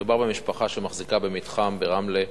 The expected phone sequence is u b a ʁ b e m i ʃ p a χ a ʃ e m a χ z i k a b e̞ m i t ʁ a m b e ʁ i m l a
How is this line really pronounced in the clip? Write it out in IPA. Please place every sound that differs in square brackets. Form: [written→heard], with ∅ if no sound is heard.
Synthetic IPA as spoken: u b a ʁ b e m i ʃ p a χ a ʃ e m a χ z i k a b e̞ m i t [ʁ→χ] a m b e ʁ [i→a] m l [a→e]